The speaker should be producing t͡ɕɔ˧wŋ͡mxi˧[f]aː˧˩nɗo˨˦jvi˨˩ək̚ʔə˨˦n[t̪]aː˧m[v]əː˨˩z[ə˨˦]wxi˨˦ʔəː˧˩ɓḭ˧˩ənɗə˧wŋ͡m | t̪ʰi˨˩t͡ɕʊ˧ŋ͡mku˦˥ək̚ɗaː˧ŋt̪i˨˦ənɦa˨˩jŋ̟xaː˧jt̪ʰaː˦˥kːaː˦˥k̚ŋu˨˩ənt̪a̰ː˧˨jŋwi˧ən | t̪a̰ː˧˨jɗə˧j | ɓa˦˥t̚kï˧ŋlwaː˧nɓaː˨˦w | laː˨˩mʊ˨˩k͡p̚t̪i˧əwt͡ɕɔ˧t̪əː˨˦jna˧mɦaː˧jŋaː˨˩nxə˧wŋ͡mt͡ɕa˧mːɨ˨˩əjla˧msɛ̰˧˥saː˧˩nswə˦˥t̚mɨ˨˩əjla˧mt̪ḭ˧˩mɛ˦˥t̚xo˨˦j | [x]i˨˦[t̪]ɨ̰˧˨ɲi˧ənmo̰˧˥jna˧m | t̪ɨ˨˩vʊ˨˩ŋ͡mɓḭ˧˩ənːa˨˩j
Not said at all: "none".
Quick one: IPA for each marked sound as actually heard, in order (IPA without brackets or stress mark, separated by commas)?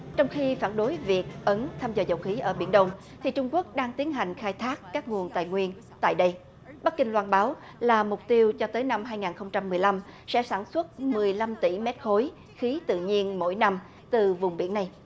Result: f, t̪ʰ, z, ə˨˩, x, t̪